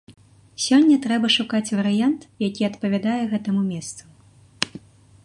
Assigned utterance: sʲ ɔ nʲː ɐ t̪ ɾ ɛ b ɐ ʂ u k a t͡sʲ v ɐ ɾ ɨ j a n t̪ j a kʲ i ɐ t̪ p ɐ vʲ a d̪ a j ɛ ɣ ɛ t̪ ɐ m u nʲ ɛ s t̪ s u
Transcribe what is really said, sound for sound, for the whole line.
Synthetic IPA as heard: sʲ ɔ nʲː ɐ t̪ ɾ ɛ b ɐ ʂ u k a t͡sʲ v ɐ ɾ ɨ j a n t̪ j a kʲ i ɐ t̪ p ɐ vʲ a d̪ a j ɛ ɣ ɛ t̪ ɐ m u mʲ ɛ s t̪ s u